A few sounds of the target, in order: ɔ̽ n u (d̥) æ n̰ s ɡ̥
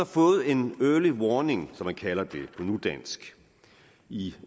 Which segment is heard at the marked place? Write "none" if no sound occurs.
d̥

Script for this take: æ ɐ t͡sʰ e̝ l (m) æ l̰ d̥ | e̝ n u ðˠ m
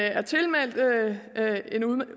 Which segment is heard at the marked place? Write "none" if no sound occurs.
m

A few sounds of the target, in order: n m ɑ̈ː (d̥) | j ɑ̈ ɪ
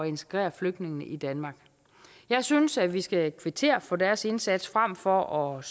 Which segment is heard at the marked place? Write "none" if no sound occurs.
ɡ̥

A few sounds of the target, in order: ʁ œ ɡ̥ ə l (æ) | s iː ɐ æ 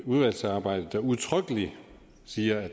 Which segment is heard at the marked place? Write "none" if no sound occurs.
i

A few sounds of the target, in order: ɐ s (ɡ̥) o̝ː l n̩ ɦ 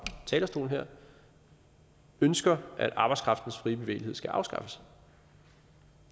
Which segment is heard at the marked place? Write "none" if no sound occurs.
d̥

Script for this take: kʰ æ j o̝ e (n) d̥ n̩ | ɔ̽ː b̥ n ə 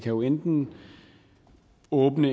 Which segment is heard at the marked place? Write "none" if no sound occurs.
n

